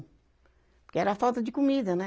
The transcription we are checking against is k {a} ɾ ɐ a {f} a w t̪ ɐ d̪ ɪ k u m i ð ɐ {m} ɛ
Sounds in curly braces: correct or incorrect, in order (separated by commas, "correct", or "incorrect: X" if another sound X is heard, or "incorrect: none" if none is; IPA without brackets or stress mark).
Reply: incorrect: ɛ, correct, incorrect: n